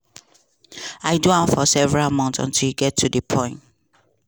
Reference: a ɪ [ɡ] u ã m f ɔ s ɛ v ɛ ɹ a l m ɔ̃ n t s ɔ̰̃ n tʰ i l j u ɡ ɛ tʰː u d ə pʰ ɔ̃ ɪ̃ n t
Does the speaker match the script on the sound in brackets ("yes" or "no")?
no